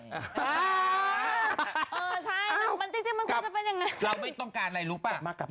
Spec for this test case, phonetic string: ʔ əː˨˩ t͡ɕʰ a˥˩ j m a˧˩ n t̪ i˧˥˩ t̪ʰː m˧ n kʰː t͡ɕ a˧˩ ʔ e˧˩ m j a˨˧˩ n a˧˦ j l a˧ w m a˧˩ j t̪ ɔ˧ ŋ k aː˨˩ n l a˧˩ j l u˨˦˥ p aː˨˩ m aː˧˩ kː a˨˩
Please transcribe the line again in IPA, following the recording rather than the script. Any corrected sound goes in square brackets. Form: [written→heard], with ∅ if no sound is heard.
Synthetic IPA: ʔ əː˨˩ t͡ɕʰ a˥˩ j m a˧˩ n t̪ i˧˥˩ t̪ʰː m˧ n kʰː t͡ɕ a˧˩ [ʔ→p] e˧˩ [m→n] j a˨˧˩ [n→ŋ] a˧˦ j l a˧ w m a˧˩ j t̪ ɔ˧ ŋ k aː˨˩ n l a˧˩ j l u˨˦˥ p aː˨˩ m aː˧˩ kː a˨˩